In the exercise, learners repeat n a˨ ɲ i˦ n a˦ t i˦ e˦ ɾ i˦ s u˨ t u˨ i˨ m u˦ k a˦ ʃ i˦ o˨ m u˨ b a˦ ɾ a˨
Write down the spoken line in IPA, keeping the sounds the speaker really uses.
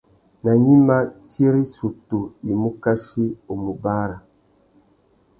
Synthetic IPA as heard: n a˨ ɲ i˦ m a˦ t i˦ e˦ ɾ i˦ s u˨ t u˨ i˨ m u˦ k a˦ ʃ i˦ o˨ m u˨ b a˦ ɾ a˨